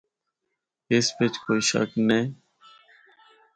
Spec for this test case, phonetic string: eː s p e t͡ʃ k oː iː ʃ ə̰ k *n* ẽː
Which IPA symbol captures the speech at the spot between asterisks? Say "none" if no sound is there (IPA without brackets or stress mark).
n